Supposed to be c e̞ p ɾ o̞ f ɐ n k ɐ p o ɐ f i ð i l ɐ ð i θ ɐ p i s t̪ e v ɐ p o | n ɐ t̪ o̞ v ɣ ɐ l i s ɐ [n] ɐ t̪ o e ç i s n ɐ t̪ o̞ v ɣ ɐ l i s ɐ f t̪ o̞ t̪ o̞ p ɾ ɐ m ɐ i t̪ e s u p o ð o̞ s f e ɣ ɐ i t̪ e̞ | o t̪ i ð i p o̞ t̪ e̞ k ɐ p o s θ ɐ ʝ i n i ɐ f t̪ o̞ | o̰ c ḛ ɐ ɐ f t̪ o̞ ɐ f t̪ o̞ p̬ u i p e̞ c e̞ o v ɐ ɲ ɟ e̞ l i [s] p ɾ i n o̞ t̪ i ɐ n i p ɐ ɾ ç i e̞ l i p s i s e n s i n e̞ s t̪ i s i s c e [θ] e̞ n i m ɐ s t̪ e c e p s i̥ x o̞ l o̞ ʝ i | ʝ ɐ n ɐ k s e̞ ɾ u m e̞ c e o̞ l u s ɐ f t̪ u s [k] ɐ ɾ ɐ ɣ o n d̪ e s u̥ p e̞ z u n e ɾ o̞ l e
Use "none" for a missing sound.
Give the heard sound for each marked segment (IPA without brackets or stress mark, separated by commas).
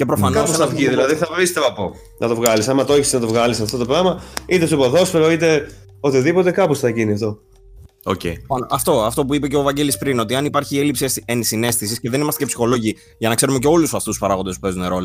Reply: m, s, ð, p